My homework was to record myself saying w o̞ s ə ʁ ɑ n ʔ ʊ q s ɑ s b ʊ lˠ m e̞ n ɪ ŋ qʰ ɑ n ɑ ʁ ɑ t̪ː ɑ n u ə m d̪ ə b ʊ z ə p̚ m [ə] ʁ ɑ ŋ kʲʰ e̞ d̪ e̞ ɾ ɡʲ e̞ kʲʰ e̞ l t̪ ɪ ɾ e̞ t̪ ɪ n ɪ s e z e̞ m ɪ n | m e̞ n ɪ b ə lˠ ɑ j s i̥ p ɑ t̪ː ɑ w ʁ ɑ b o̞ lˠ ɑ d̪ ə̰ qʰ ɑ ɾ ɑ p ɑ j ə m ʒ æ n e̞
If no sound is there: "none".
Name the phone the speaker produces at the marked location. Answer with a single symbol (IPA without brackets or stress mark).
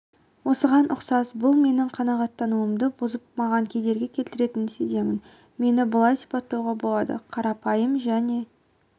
ɑ